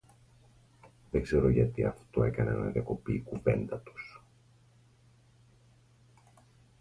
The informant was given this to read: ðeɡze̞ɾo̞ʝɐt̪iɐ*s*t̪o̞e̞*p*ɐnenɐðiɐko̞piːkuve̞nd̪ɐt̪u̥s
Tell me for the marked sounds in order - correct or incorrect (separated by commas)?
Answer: incorrect, incorrect